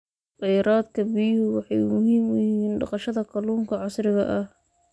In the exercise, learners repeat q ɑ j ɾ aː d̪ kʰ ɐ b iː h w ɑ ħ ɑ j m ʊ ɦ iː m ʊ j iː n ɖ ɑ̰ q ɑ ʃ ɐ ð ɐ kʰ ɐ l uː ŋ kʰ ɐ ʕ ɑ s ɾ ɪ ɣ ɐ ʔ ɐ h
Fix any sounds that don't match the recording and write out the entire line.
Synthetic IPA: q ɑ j ɾ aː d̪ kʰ ɐ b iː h w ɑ ħ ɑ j m ʊ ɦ iː m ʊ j iː n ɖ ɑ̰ q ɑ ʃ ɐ ð ɐ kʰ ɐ l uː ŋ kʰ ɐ ʕ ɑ s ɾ ɪ ɣ ɐ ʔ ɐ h